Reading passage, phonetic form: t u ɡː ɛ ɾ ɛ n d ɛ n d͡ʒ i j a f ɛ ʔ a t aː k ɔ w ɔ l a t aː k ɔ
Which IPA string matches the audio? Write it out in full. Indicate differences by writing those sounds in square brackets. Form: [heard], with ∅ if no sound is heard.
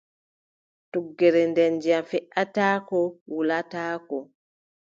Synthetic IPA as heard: t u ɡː ɛ ɾ ɛ n d ɛ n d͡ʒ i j a f ɛ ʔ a t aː k ɔ w [u] l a t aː k ɔ